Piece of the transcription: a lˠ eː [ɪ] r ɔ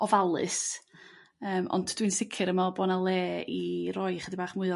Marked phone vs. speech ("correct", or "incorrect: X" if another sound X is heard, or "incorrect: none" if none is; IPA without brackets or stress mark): incorrect: i